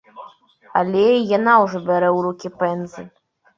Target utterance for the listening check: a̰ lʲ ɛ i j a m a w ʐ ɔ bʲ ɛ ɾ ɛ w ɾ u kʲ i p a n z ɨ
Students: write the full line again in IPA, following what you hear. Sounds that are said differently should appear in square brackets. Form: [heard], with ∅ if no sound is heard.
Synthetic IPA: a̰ lʲ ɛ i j a [n] a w ʐ ɔ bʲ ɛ ɾ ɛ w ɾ u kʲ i p [ɛ] n z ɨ